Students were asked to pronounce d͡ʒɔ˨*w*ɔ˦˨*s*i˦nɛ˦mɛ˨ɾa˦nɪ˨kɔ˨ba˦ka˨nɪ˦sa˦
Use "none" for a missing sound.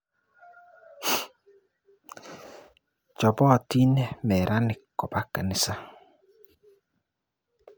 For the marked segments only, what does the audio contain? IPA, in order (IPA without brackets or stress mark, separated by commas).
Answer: b, t